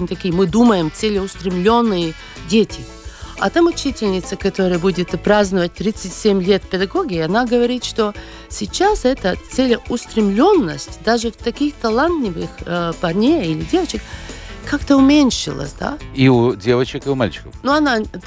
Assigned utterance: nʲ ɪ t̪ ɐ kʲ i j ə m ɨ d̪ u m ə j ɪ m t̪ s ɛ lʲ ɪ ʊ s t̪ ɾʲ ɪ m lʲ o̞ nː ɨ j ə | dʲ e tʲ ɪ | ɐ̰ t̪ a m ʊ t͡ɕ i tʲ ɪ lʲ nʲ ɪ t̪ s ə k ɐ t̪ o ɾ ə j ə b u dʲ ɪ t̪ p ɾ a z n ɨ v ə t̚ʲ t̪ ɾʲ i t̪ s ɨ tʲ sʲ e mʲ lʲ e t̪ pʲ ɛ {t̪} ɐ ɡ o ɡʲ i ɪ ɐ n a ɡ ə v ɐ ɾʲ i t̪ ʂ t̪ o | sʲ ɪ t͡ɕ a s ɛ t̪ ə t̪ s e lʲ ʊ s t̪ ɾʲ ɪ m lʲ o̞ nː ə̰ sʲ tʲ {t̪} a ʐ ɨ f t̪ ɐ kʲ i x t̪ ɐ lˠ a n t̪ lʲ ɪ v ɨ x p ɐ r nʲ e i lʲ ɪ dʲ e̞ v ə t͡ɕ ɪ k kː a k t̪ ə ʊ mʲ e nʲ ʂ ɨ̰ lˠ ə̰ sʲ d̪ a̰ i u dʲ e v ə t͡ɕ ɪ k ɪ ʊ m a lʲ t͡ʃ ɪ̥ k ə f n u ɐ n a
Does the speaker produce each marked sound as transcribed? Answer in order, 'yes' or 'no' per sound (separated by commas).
no, no